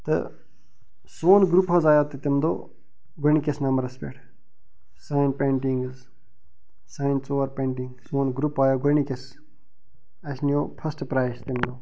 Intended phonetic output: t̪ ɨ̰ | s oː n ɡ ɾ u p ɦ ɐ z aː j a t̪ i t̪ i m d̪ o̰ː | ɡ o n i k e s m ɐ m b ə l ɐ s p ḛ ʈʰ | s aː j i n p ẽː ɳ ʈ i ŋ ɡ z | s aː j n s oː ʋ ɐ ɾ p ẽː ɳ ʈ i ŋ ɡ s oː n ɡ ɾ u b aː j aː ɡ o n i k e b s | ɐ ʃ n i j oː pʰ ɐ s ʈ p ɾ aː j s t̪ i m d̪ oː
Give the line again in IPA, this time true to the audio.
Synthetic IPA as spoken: t̪ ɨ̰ | s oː n ɡ ɾ u p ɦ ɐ z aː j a t̪ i t̪ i m d̪ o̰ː | ɡ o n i k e s n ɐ m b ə ɾ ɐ s p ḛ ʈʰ | s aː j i n p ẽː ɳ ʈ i ŋ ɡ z | s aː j n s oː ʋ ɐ ɾ p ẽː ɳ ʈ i ŋ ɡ s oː n ɡ ɾ u p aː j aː ɡ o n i k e s | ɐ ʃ n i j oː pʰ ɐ s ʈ p ɾ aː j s t̪ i m d̪ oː